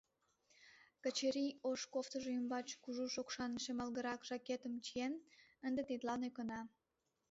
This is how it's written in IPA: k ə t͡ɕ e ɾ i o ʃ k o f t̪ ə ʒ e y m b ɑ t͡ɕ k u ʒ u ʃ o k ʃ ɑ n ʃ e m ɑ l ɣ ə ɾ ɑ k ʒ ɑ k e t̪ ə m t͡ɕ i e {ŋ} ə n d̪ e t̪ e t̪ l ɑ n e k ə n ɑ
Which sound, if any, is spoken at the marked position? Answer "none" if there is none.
n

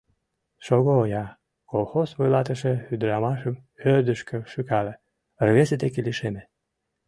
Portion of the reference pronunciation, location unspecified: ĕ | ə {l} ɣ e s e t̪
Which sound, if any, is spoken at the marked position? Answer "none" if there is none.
r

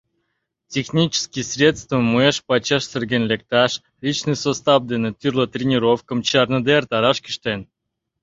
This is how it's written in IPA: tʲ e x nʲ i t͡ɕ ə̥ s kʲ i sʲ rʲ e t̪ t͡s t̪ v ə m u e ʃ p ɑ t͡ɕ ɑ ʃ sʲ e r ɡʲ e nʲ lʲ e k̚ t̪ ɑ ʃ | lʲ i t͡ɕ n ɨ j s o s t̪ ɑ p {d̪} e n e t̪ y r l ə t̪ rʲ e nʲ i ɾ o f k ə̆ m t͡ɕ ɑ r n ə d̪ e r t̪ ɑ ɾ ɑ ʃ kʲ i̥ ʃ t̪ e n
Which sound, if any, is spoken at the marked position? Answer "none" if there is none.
d̪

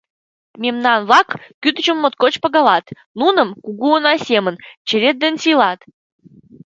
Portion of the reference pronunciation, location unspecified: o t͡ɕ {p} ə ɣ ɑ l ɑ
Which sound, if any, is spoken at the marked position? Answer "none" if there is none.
p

